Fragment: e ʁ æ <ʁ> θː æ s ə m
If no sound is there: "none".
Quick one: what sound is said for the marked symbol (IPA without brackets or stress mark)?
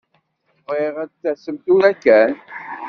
none